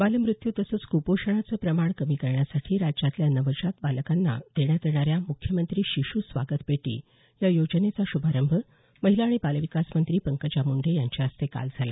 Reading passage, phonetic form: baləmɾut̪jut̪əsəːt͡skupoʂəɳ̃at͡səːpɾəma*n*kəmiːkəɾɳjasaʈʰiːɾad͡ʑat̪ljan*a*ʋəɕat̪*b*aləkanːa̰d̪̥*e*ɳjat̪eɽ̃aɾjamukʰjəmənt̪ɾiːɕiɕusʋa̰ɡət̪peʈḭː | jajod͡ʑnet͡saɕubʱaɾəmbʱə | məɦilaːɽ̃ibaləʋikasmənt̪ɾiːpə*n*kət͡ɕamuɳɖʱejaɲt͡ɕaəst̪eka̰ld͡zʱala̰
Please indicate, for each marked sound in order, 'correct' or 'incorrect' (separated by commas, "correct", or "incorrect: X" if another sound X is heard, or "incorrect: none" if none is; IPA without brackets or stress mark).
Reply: incorrect: ɳ, incorrect: ə, correct, correct, incorrect: ŋ